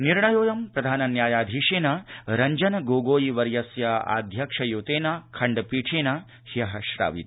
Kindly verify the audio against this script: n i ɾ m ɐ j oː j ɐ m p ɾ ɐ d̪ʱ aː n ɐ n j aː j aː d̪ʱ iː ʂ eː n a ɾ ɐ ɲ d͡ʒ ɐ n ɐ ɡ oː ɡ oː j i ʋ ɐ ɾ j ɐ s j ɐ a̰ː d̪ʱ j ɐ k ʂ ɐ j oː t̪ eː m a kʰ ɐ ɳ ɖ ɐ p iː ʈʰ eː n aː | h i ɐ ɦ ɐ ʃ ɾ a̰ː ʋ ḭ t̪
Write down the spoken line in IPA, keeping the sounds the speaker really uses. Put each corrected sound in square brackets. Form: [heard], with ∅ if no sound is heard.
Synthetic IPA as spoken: n i ɾ [ɳ] ɐ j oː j ɐ m p ɾ ɐ d̪ʱ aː n ɐ n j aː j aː d̪ʱ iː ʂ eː n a ɾ ɐ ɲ d͡ʒ ɐ n ɐ ɡ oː ɡ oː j i ʋ ɐ ɾ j ɐ s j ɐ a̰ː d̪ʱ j ɐ k ʂ ɐ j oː t̪ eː [n] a kʰ ɐ ɳ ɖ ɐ p iː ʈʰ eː n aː | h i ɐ ɦ ɐ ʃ ɾ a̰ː ʋ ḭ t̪